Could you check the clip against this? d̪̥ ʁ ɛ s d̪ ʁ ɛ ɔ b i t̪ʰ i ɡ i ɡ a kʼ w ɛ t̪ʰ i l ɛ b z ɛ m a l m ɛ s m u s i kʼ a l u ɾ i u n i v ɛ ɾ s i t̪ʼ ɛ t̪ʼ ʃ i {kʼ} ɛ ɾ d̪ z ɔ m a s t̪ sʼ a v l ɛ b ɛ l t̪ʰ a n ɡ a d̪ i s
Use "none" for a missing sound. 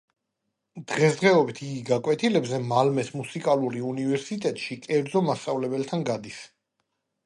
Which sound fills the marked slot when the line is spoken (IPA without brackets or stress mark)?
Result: kʼ